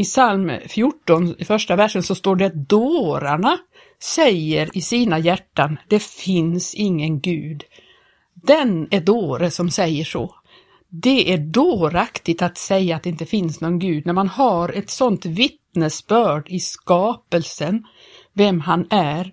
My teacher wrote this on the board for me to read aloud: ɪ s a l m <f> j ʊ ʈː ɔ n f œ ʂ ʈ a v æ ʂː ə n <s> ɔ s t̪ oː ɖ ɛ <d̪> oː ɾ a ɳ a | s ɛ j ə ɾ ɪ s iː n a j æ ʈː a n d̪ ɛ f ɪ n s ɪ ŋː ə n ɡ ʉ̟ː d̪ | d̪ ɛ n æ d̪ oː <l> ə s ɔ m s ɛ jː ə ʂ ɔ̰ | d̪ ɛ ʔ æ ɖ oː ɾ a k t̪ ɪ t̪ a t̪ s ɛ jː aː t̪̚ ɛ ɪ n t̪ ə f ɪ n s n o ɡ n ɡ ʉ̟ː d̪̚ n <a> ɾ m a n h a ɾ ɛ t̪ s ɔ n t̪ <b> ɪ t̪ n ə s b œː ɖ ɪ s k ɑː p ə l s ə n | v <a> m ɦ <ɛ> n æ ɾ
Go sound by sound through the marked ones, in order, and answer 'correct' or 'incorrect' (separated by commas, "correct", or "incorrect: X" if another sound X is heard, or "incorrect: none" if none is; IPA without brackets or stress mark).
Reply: correct, correct, correct, incorrect: ɾ, incorrect: æ, incorrect: v, incorrect: ɛ, incorrect: a